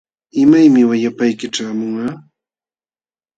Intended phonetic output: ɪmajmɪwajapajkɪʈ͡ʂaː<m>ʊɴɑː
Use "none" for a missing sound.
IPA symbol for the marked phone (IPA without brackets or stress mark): m